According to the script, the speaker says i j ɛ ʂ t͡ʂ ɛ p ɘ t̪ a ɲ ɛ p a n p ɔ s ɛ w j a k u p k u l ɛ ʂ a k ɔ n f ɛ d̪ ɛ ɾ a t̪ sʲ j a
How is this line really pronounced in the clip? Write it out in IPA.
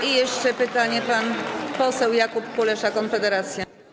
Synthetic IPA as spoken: i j ɛ ʂ t͡ʂ ɛ p ɘ t̪ a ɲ ɛ p a n p ɔ s ɛ w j a k u p k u l ɛ ʂ a k ɔ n f ɛ d̪ ɛ ɾ a t̪ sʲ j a